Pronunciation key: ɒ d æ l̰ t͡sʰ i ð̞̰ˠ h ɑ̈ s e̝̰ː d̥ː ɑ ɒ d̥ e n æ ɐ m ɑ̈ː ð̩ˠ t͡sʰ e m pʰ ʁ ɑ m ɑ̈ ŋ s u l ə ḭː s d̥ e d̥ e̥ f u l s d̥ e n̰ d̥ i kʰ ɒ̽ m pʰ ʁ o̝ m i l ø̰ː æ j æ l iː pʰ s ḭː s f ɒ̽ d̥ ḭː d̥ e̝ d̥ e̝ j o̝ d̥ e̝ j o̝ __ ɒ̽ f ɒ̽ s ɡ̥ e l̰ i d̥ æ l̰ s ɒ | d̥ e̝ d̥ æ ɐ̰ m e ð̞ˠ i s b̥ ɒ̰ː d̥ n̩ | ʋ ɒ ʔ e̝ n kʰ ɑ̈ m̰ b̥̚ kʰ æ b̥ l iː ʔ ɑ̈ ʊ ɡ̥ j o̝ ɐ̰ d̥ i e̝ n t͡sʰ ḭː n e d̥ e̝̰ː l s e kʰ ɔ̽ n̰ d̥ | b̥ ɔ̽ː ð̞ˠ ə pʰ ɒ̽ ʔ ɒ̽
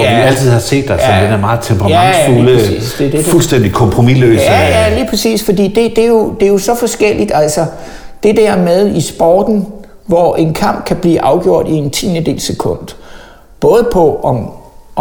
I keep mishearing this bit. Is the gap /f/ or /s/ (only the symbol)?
s